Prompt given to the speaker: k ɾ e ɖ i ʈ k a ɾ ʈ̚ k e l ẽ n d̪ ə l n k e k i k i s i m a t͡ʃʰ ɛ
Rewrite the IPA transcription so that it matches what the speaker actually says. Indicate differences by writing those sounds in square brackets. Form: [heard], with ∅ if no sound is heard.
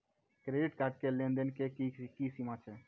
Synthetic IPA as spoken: k ɾ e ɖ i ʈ k a ɾ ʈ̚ k e l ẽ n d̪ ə [∅] n k e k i k i s i m a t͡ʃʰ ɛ